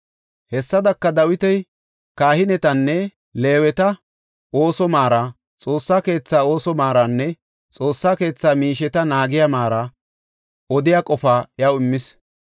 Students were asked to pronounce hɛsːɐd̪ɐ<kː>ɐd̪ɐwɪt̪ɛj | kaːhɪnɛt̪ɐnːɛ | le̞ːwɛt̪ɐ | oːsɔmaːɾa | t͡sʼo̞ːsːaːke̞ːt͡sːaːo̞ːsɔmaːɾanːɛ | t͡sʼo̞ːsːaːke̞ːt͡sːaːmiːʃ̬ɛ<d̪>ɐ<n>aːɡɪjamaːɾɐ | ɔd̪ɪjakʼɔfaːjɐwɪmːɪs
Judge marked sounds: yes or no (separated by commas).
yes, no, yes